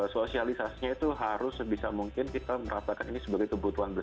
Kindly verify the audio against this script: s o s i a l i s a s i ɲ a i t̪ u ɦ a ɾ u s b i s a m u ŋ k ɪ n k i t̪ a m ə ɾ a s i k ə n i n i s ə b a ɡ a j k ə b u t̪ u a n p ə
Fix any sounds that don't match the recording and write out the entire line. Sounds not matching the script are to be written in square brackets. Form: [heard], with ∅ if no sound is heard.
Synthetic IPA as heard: s o s i a l i s a s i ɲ a i t̪ u ɦ a ɾ [ʊ] s b i s a m u ŋ k ɪ n k i t̪ a m ə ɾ a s [a] k [a] n i n i s ə b a ɡ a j k ə b u t̪ u a n [b] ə